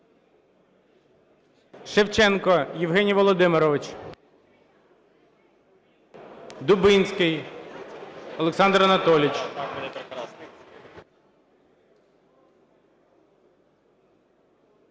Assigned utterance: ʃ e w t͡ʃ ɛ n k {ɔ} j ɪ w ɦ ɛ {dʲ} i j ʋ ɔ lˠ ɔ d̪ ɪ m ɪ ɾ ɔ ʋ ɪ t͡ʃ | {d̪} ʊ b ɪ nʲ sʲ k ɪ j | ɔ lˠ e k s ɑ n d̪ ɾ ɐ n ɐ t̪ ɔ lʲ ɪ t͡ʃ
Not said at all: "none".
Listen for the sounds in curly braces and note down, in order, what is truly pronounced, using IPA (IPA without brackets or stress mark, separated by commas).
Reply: ɔ, nʲ, d̪